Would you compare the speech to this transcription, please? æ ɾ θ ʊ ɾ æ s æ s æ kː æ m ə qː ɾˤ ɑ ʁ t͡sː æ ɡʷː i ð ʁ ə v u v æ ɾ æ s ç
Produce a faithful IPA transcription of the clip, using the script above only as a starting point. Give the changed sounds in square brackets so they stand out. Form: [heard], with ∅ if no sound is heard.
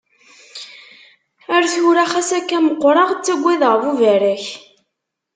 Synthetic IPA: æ ɾ θ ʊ ɾ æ [χ] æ s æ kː æ m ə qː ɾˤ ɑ ʁ t͡sː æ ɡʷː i ð ʁ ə v u v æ ɾ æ [∅] ç